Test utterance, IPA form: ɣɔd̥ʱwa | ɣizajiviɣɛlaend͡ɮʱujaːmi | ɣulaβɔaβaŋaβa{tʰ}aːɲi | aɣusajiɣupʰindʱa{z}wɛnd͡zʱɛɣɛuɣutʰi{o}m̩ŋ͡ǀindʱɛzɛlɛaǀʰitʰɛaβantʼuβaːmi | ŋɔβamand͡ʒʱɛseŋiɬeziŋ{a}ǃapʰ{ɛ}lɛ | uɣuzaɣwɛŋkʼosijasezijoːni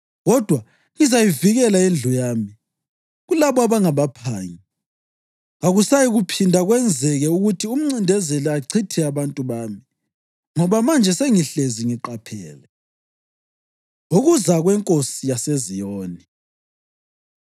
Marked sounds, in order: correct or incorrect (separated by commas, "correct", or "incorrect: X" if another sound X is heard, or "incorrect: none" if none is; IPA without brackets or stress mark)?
incorrect: pʰ, incorrect: ɣ, incorrect: u, incorrect: i, incorrect: ɛː